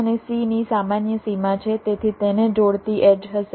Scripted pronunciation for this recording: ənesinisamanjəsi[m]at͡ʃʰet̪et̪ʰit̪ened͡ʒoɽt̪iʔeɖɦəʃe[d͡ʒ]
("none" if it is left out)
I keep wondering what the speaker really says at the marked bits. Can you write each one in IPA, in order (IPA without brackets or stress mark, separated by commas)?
m, none